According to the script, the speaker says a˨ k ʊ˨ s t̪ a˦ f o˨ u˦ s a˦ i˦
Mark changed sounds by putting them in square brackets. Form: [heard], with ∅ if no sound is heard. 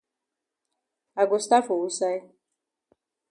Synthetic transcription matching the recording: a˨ [ɡ] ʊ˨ s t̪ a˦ f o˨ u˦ s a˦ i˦